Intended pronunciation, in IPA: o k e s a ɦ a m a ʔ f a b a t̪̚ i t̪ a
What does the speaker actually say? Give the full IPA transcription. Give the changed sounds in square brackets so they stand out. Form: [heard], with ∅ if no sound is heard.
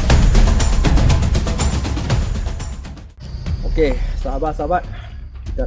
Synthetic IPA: o k e s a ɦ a [b] a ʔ [s] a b a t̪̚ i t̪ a